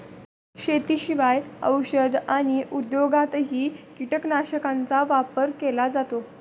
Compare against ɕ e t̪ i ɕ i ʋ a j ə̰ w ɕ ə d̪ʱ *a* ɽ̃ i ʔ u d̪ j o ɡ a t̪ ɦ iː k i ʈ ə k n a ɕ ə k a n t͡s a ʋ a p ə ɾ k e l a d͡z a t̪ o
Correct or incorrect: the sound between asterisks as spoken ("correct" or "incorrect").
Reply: correct